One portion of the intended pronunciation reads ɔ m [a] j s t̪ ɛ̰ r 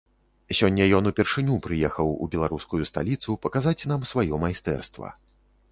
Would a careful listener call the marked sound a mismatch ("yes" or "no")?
no